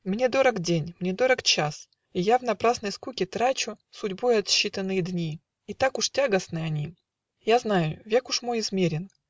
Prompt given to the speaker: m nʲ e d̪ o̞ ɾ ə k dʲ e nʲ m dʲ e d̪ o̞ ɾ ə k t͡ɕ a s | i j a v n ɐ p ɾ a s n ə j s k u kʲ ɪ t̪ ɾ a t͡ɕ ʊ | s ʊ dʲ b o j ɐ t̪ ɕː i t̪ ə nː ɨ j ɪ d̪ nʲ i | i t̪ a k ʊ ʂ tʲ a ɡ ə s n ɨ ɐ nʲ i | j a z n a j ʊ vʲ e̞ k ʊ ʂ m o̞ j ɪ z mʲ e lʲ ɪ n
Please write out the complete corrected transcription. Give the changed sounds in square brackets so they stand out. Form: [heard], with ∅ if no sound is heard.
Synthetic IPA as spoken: m nʲ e d̪ o̞ ɾ ə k dʲ e nʲ m [nʲ] e d̪ o̞ ɾ ə k t͡ɕ a s | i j a v n ɐ p ɾ a s n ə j s k u kʲ ɪ t̪ ɾ a t͡ɕ ʊ | s ʊ dʲ b o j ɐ t̪ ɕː i t̪ ə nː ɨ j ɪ d̪ nʲ i | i t̪ a k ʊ ʂ tʲ a ɡ ə s n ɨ ɐ nʲ i | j a z n a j ʊ vʲ e̞ k ʊ ʂ m o̞ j ɪ z mʲ e [ɾʲ] ɪ n

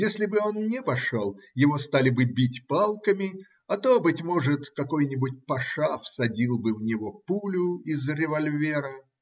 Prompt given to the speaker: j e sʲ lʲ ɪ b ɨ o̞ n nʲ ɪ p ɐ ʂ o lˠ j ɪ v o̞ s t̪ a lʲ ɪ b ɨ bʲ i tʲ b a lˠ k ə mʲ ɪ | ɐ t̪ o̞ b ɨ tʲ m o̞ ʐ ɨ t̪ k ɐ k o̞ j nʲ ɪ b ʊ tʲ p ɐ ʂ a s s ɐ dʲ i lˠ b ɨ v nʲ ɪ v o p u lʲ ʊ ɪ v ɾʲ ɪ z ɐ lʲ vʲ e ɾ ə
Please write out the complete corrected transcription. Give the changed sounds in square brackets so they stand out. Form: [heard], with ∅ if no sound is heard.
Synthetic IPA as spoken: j e sʲ lʲ ɪ b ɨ o̞ n nʲ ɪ p ɐ ʂ o lˠ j ɪ v o̞ s t̪ a lʲ ɪ b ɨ bʲ i tʲ [p] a lˠ k ə mʲ ɪ | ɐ t̪ o̞ b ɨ tʲ m o̞ ʐ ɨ t̪ k ɐ k o̞ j nʲ ɪ b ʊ tʲ p ɐ ʂ a [f] s ɐ dʲ i lˠ b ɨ v nʲ ɪ v o p u lʲ ʊ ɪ [z] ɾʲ ɪ [v] ɐ lʲ vʲ e ɾ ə

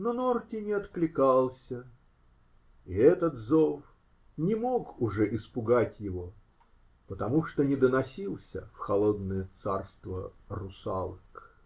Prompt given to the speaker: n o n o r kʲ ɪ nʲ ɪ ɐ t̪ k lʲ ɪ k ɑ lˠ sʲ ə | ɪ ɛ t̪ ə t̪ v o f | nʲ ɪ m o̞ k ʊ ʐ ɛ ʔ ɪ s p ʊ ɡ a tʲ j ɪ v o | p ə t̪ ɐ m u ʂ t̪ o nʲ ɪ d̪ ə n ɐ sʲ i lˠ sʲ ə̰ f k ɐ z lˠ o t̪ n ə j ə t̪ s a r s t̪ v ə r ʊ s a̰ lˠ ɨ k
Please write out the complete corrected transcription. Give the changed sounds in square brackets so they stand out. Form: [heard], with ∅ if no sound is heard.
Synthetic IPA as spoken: n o n o r [tʲ] ɪ nʲ ɪ ɐ t̪ k lʲ ɪ k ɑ lˠ sʲ ə | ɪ ɛ t̪ ə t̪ [z] o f | nʲ ɪ m o̞ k ʊ ʐ ɛ ʔ ɪ s p ʊ ɡ a tʲ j ɪ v o | p ə t̪ ɐ m u ʂ t̪ o nʲ ɪ d̪ ə n ɐ sʲ i lˠ sʲ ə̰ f [x] ɐ [∅] lˠ o [d̪] n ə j ə t̪ s a r s t̪ v ə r ʊ s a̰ lˠ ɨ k

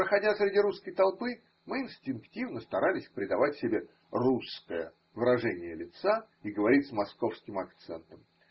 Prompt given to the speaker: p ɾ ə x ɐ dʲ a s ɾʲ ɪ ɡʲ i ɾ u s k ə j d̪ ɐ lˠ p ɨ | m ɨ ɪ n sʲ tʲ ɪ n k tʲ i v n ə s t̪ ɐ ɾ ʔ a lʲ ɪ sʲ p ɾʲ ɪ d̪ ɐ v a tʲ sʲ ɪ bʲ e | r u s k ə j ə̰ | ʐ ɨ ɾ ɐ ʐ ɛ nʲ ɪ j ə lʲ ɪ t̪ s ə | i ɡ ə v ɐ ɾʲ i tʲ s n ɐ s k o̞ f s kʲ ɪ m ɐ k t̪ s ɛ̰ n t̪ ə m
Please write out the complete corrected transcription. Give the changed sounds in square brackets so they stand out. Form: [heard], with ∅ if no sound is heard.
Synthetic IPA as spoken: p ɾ ə x ɐ dʲ a s ɾʲ ɪ [dʲ] i ɾ u s k ə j [t̪] ɐ lˠ p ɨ | m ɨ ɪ n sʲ tʲ ɪ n k tʲ i v n ə s t̪ ɐ ɾ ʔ a lʲ ɪ sʲ p ɾʲ ɪ d̪ ɐ v a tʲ sʲ ɪ bʲ e | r u s k ə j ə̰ | [v] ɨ ɾ ɐ ʐ ɛ nʲ ɪ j ə lʲ ɪ t̪ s [a] | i ɡ ə v ɐ ɾʲ i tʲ s [m] ɐ s k o̞ f s kʲ ɪ m ɐ k t̪ s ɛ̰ n t̪ ə m

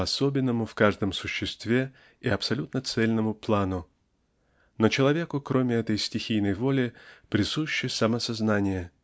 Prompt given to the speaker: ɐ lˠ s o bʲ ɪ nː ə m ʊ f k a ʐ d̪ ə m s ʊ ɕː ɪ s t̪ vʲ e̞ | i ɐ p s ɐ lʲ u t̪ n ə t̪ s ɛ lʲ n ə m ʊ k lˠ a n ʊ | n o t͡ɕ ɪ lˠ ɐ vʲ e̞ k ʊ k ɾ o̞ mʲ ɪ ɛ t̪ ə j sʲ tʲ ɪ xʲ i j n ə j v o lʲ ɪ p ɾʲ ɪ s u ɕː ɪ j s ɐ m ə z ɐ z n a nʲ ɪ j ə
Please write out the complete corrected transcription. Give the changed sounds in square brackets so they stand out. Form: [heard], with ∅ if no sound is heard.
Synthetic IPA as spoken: ɐ [∅] s o bʲ ɪ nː ə m ʊ f k a ʐ d̪ ə m s ʊ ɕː ɪ s t̪ vʲ e̞ | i ɐ p s ɐ lʲ u t̪ n ə t̪ s ɛ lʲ n ə m ʊ [p] lˠ a n ʊ | n o t͡ɕ ɪ lˠ ɐ vʲ e̞ k ʊ k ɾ o̞ mʲ ɪ ɛ t̪ ə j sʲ tʲ ɪ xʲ i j n ə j v o lʲ ɪ p ɾʲ ɪ s u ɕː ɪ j s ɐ m ə [s] ɐ z n a nʲ ɪ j ə

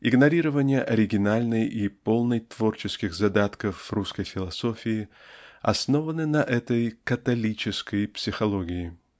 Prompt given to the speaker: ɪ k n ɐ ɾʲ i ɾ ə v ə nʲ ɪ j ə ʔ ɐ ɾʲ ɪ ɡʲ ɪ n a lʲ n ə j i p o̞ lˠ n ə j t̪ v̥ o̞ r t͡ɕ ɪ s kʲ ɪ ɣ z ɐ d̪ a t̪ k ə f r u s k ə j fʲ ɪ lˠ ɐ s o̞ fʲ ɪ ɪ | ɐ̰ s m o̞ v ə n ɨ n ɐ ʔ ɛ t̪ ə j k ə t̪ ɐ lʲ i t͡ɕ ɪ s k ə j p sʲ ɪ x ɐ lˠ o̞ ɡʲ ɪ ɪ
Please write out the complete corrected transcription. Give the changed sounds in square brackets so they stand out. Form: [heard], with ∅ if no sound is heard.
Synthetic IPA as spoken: ɪ [ɡ] n ɐ ɾʲ i ɾ ə v ə nʲ ɪ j ə ʔ ɐ ɾʲ ɪ ɡʲ ɪ n a lʲ n ə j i p o̞ lˠ n ə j t̪ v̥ o̞ r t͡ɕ ɪ s kʲ ɪ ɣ z ɐ d̪ a t̪ k ə f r u s k ə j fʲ ɪ lˠ ɐ s o̞ fʲ ɪ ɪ | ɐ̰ s [n] o̞ v ə n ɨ n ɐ ʔ ɛ t̪ ə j k ə t̪ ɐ lʲ i t͡ɕ ɪ s k ə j p sʲ ɪ x ɐ lˠ o̞ ɡʲ ɪ ɪ

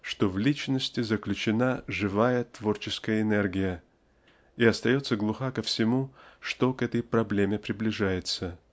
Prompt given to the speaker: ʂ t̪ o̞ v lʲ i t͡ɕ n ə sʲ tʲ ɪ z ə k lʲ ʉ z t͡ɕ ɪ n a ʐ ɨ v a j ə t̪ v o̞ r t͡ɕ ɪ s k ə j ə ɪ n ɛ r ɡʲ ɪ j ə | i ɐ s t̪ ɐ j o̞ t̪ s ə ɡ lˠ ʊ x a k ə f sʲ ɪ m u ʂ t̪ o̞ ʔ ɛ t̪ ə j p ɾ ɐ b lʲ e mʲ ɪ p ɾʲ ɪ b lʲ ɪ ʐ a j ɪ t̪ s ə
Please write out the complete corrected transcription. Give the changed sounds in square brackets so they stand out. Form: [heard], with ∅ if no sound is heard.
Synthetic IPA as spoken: ʂ t̪ o̞ v lʲ i t͡ɕ n ə sʲ tʲ ɪ z ə k lʲ ʉ [∅] t͡ɕ ɪ n a ʐ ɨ v a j ə t̪ v o̞ r t͡ɕ ɪ s k ə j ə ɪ n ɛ r ɡʲ ɪ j ə | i ɐ s t̪ ɐ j o̞ t̪ s ə ɡ lˠ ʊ x a k ə f sʲ ɪ m u ʂ t̪ o̞ [k] ɛ t̪ ə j p ɾ ɐ b lʲ e mʲ ɪ p ɾʲ ɪ b lʲ ɪ ʐ a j ɪ t̪ s ə

